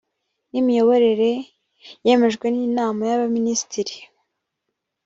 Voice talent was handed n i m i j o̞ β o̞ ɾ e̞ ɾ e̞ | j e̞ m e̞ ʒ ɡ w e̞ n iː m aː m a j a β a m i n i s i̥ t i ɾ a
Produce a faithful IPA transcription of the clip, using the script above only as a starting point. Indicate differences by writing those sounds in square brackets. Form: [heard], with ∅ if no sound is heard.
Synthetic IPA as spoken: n i m i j o̞ β o̞ ɾ e̞ ɾ e̞ | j e̞ m e̞ ʒ ɡ w e̞ n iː [n] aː m a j a β a m i n i s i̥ t i ɾ [i]